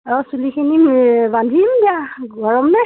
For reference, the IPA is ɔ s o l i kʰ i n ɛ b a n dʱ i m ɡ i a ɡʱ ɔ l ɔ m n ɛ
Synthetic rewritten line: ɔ s u l i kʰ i n i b a n dʱ i m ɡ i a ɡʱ ɔ ɹ ɔ m n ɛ